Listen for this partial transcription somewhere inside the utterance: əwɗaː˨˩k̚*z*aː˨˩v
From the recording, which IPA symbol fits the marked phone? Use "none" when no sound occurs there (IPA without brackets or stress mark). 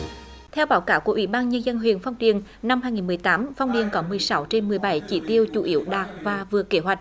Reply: v